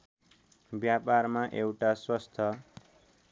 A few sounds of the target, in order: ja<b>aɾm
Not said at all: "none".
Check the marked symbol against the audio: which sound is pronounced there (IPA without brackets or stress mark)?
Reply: p